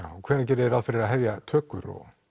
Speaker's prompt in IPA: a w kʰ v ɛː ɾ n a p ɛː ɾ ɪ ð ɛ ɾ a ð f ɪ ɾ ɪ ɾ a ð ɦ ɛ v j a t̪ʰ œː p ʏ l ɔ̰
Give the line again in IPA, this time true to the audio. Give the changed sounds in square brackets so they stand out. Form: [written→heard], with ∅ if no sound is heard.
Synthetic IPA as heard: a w kʰ v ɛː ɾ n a [p→c] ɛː ɾ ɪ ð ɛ ɾ a ð f ɪ ɾ ɪ ɾ a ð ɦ ɛ v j a t̪ʰ œː [p→k] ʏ [l→ɾ] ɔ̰